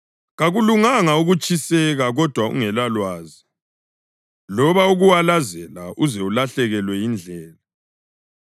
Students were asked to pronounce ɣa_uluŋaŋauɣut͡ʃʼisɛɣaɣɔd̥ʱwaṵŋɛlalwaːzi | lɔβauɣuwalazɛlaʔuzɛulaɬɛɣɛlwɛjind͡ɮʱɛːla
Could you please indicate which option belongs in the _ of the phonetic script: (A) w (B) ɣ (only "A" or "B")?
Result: B